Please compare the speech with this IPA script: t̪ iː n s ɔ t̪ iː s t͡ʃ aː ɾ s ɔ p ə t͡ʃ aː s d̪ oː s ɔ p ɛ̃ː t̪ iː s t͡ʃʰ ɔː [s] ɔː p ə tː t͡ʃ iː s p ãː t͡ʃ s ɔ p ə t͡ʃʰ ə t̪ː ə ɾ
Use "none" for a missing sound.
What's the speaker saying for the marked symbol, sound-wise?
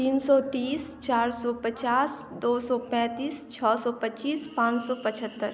s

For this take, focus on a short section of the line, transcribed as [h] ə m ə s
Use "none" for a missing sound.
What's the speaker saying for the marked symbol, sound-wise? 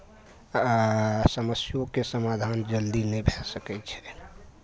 s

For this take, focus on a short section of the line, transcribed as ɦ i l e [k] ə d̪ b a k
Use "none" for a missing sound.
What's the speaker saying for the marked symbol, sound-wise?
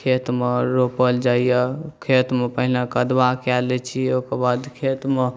k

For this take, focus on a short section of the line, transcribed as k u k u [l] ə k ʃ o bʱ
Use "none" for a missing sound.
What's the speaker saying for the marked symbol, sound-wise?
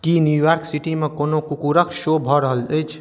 ɾ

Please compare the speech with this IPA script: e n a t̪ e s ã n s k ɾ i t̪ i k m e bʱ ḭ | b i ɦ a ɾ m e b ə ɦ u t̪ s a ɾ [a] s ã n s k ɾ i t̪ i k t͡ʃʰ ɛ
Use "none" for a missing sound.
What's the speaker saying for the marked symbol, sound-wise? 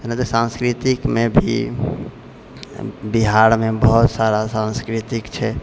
a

